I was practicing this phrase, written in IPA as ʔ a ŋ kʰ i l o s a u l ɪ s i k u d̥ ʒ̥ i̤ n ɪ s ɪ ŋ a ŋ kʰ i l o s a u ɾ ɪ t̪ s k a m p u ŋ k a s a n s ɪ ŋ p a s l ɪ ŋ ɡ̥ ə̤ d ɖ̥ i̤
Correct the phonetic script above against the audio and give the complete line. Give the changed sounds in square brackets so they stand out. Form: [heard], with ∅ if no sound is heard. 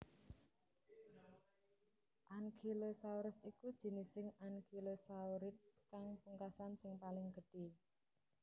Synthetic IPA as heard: ʔ a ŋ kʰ i l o s a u [ɾ] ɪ s i k u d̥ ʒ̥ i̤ n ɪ s ɪ ŋ a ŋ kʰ i l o s a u ɾ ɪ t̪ s k a [ŋ] p u ŋ k a s a n s ɪ ŋ p a [∅] l ɪ ŋ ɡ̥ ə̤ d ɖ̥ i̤